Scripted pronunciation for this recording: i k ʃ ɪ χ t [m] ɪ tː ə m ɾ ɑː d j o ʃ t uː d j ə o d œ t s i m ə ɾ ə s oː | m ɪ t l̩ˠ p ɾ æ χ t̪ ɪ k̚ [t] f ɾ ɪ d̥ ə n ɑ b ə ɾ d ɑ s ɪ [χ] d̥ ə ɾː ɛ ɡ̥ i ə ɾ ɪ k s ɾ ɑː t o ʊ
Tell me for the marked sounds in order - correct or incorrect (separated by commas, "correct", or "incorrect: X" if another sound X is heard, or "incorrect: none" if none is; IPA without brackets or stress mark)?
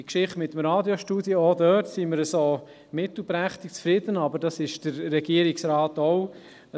correct, incorrect: t͡s, incorrect: ʃ